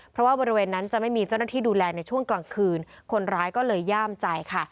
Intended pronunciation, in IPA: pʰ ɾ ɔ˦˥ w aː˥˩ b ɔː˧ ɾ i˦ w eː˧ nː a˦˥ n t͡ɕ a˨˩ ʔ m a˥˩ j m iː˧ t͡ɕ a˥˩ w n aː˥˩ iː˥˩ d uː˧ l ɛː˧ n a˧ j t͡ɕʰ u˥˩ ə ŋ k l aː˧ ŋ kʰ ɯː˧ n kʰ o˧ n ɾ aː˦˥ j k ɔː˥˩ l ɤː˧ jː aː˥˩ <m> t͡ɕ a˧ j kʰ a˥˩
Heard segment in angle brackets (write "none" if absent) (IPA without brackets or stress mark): m